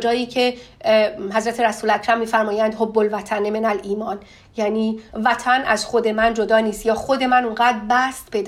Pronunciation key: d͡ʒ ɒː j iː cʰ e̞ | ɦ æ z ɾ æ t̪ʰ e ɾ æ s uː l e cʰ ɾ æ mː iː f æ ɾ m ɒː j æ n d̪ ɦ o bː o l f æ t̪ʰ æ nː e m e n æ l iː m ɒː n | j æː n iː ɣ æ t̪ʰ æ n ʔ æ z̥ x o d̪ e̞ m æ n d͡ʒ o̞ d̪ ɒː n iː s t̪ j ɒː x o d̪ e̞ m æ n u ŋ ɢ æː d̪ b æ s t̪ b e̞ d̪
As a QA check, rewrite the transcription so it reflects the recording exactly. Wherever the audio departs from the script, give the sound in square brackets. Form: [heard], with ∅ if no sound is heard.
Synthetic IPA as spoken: d͡ʒ ɒː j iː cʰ e̞ | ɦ æ z ɾ æ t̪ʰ e ɾ æ s uː l [æ] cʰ ɾ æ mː iː f æ ɾ m ɒː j æ n d̪ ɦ o bː o l [v] æ t̪ʰ æ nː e m e n æ l iː m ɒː n | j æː n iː [v] æ t̪ʰ æ n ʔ æ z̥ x o d̪ e̞ m æ n d͡ʒ o̞ d̪ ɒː n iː s t̪ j ɒː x o d̪ e̞ m æ n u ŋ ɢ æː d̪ b æ s t̪ b e̞ d̪